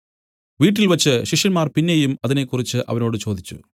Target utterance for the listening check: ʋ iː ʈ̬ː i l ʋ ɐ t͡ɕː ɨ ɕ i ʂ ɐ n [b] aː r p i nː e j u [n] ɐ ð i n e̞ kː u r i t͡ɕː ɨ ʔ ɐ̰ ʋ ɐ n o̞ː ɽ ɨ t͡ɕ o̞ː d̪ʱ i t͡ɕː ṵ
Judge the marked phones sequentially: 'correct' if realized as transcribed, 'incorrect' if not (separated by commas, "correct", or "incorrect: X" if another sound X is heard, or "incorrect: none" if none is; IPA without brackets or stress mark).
incorrect: m, incorrect: m